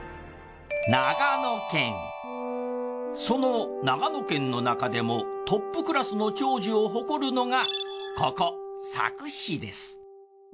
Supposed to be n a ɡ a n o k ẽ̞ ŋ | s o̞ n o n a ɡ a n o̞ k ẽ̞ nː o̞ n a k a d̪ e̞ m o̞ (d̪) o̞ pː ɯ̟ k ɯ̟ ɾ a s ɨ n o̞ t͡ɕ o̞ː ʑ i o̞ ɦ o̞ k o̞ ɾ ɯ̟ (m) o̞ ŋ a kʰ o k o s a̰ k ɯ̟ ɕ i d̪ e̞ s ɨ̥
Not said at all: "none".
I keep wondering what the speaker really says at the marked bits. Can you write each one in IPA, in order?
t̪, n

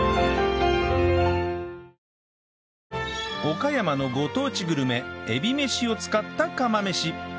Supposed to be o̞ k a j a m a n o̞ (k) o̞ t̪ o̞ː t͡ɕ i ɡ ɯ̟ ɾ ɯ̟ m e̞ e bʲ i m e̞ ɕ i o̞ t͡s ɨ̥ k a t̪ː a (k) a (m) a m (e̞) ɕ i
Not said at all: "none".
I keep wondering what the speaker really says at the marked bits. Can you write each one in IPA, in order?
ɡ, k, m, e̞

